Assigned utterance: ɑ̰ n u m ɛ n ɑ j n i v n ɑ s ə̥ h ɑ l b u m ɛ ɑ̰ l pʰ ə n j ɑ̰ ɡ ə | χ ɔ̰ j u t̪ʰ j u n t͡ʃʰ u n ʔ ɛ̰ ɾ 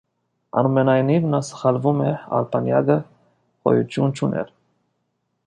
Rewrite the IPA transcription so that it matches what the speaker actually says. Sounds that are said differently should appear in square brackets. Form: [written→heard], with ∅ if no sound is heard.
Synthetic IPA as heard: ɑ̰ n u m ɛ n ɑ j n i v n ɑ s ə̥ [h→χ] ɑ l [b→v] u m ɛ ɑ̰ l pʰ [ə→ɑ] n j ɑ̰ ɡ ə | χ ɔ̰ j u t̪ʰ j u n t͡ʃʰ u n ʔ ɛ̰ ɾ